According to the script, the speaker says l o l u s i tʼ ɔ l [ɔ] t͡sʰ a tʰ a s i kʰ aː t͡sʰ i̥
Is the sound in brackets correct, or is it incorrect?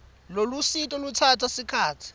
incorrect